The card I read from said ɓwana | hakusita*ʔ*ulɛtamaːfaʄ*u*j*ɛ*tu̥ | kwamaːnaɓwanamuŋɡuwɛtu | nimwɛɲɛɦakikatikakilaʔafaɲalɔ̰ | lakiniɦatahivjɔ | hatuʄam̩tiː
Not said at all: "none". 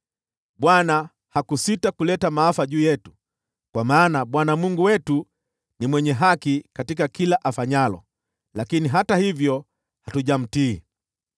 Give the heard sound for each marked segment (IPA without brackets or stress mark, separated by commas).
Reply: k, uː, ɛ